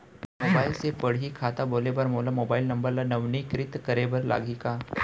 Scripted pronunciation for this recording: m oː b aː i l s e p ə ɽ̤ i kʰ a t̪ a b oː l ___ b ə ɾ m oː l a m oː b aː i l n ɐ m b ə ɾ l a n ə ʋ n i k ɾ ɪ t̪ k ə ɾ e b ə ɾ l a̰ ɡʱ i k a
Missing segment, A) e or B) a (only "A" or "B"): A